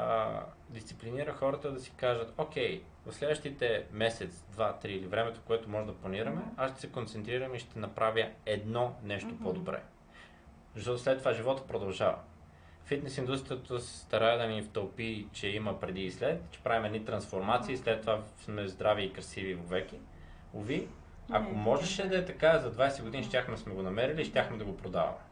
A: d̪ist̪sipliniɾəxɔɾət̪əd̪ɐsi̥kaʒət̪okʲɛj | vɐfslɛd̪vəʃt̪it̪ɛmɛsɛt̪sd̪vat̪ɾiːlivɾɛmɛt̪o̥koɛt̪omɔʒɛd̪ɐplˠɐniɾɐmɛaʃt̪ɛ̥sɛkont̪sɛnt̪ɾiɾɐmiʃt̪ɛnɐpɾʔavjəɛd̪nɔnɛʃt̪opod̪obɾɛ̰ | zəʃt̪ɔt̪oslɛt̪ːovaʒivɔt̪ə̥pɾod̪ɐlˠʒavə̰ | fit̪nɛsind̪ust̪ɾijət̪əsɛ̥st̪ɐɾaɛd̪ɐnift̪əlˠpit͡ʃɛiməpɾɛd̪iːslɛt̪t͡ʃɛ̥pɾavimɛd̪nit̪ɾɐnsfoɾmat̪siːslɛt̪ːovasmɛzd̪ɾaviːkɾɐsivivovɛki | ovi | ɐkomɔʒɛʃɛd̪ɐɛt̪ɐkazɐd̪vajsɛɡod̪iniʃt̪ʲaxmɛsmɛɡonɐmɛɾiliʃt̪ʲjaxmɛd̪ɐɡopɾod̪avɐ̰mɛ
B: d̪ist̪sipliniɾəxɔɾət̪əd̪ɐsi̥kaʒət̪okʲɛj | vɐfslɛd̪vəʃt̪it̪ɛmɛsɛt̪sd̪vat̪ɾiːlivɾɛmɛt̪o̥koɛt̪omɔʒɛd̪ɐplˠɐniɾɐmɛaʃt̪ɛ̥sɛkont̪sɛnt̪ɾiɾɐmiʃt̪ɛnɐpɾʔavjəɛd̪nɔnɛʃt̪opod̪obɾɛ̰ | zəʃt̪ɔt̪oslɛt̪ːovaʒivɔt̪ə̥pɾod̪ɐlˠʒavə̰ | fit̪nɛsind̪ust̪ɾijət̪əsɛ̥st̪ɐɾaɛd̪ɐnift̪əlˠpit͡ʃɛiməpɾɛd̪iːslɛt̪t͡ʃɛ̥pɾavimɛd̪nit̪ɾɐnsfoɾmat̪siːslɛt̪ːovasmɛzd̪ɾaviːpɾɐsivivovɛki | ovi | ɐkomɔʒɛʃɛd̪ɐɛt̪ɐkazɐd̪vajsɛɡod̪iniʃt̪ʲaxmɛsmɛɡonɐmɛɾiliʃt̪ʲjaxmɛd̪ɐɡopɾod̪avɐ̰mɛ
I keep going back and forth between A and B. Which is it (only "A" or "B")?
A